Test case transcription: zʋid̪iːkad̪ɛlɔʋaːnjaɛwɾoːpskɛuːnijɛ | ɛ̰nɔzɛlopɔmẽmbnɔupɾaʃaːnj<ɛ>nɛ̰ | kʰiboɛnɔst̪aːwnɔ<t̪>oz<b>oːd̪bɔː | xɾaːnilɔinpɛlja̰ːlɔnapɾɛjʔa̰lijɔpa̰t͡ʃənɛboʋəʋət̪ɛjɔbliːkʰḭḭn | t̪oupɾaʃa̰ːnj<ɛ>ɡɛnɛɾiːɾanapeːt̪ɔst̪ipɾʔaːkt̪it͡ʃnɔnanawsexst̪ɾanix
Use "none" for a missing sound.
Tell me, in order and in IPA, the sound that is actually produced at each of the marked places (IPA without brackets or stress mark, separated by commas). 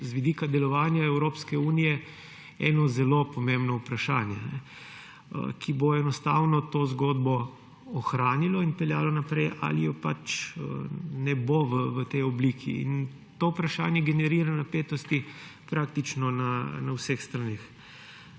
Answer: ɛ, t̪, ɡ, ɛ